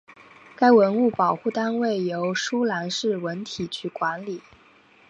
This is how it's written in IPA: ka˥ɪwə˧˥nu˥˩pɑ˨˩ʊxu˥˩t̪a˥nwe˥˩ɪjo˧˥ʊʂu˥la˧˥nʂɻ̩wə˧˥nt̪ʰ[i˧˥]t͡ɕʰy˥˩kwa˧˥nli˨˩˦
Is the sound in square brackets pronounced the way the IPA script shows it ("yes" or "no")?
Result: no